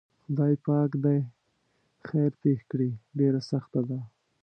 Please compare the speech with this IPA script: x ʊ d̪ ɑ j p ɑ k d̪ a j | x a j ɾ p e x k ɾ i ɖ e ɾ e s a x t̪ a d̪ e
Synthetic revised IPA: x ʊ d̪ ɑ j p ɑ k d̪ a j | x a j ɾ p e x k ɽ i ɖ e ɾ a s a x t̪ a d̪ a